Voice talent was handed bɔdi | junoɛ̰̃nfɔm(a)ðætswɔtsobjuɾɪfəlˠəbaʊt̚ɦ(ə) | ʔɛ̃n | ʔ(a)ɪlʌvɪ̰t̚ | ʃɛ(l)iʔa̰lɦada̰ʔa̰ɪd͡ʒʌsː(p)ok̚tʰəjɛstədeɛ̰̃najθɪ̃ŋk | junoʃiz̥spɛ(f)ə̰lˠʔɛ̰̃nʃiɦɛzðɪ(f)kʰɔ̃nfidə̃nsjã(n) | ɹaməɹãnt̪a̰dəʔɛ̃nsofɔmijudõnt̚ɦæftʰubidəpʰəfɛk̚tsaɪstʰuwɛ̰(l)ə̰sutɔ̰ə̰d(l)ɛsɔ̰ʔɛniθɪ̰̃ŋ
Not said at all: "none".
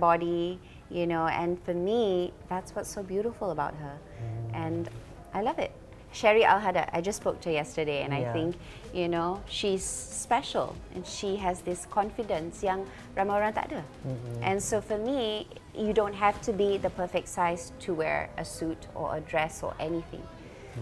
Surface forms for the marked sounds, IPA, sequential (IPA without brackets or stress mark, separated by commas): i, ə, a, ɹ, p, ʃ, s, ŋ, ɹ, ɹ